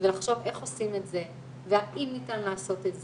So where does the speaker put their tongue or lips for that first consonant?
lips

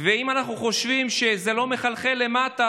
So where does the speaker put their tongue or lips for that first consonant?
lips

